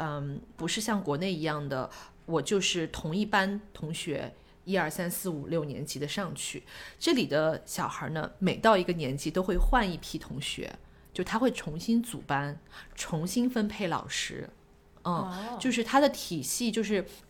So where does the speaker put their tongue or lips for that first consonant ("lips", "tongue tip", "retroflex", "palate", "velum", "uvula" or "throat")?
lips